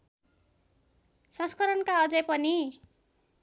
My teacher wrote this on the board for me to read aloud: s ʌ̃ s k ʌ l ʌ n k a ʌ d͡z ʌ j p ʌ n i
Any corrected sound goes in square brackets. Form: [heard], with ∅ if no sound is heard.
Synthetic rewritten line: s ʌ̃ s k ʌ [ɾ] ʌ n k a ʌ d͡z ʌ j p ʌ n i